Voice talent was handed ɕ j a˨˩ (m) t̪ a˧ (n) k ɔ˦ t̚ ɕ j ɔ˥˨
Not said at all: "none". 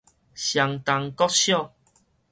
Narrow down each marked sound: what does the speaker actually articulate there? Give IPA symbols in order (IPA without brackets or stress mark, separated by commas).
ŋ, ŋ